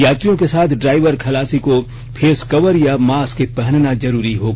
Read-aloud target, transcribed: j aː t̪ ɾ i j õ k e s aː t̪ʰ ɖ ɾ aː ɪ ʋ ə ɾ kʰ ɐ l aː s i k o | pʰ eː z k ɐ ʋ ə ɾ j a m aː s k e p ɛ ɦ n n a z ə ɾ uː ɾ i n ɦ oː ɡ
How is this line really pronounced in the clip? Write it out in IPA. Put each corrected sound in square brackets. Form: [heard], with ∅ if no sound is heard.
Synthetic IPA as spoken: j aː t̪ ɾ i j õ k e s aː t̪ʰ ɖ ɾ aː ɪ ʋ ə ɾ kʰ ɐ l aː s i k o | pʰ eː [s] k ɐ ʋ ə ɾ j a m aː s k e p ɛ ɦ n n a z [ɐ] ɾ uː ɾ i [∅] ɦ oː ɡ